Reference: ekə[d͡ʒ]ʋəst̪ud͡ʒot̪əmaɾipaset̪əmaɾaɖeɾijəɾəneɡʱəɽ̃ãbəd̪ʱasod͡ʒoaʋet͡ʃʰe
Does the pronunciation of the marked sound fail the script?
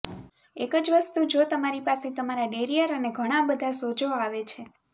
no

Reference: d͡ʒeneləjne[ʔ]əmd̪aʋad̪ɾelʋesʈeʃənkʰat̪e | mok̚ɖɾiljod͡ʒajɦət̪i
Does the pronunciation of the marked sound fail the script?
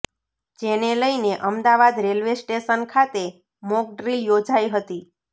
no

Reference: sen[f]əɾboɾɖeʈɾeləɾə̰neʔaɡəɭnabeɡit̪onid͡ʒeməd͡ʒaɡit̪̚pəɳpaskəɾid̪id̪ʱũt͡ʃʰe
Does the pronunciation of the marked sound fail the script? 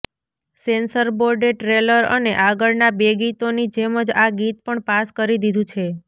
yes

